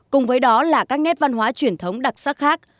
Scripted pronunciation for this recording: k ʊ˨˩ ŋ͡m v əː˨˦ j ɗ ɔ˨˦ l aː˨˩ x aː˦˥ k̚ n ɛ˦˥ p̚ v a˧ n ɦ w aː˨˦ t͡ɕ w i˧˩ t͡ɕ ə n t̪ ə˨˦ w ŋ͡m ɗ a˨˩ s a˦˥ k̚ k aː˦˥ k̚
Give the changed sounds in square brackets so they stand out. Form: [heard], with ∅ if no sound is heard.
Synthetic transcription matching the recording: k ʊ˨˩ ŋ͡m v əː˨˦ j ɗ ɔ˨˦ l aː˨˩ [k] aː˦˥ k̚ n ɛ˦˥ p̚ v a˧ n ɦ w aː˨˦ t͡ɕ w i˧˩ [∅] ə n [t̪ʰ] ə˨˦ w ŋ͡m ɗ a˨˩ s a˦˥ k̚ [x] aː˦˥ k̚